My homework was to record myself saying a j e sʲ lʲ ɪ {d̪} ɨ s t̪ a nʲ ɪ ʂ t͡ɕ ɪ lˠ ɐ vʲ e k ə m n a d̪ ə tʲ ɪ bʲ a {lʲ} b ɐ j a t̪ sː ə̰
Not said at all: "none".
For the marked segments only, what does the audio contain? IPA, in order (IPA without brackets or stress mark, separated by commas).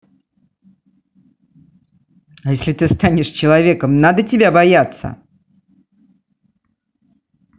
t̪, none